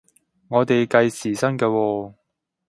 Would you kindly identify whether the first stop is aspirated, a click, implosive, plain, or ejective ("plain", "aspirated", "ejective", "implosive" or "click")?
plain